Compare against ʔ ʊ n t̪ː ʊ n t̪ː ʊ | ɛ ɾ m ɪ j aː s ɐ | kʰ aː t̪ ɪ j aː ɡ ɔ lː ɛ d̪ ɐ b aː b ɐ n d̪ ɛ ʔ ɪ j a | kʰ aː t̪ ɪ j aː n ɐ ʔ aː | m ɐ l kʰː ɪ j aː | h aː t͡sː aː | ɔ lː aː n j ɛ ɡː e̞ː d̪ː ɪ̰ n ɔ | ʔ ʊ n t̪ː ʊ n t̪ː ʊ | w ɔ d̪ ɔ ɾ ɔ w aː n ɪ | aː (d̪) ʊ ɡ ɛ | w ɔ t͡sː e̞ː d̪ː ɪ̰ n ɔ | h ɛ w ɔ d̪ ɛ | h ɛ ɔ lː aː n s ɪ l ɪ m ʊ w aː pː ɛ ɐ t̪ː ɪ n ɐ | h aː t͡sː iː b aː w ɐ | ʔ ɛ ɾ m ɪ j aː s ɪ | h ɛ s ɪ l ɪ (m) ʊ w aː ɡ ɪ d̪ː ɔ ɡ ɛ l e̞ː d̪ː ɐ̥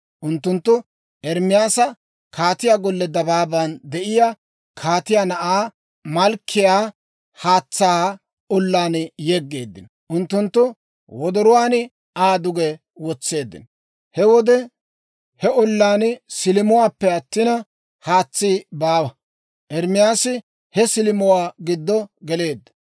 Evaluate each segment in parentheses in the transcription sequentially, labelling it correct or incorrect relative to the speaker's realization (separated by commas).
correct, correct